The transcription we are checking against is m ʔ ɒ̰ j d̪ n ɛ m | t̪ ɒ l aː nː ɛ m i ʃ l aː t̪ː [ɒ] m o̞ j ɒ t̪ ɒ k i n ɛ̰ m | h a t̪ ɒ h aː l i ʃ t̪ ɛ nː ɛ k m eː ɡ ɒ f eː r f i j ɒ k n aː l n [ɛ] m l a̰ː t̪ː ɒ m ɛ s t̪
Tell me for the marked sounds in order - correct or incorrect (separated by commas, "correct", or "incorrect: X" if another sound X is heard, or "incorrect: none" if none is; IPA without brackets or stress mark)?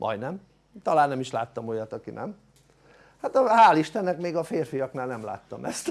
correct, correct